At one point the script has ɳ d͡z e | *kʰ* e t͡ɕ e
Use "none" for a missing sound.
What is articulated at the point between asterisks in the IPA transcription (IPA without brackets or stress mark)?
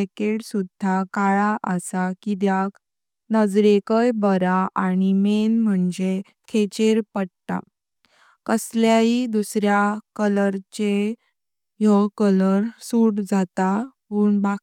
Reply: kʰ